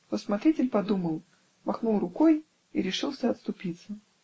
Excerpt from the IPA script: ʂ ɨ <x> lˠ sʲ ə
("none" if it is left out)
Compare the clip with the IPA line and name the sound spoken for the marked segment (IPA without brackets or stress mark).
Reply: none